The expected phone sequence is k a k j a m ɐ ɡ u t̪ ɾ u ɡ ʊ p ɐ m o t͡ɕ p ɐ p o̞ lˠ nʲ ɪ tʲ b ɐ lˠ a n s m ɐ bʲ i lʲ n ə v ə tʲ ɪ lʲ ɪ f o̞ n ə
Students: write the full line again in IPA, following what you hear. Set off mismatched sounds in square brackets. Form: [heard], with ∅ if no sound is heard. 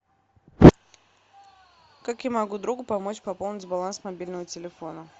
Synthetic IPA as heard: k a k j a m ɐ ɡ u [d̪] ɾ u ɡ ʊ p ɐ m o t͡ɕ p ɐ p o̞ lˠ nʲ ɪ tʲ b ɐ lˠ a n s m ɐ bʲ i lʲ n ə v ə tʲ ɪ lʲ ɪ f o̞ n ə